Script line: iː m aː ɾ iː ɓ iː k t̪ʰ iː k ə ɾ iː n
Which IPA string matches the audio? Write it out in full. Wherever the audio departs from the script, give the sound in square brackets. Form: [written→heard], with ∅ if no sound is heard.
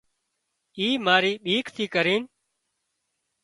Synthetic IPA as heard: iː m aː ɾ iː ɓ iː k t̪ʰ iː k ə ɾ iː n